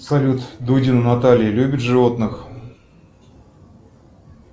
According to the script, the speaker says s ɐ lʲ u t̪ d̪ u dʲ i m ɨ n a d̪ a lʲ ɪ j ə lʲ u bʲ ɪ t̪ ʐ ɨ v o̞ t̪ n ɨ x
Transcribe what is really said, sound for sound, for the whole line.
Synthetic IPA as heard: s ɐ lʲ u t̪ d̪ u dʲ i n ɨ n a t̪ a lʲ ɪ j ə lʲ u bʲ ɪ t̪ ʐ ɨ v o̞ t̪ n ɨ x